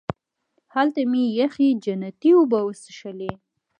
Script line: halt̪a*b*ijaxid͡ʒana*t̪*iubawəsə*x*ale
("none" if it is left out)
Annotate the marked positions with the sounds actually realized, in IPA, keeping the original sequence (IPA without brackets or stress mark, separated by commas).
m, t̪, ʃ